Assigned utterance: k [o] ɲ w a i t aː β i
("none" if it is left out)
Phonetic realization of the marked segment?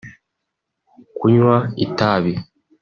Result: u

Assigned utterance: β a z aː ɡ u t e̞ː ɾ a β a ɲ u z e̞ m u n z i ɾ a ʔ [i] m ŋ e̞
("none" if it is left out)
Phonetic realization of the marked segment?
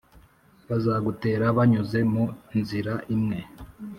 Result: i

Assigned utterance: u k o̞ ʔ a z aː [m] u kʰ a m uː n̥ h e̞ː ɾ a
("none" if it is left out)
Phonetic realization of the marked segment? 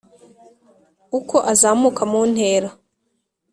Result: m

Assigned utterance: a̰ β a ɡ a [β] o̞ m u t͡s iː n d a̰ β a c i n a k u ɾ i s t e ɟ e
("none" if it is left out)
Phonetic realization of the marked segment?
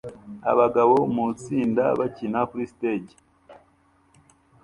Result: β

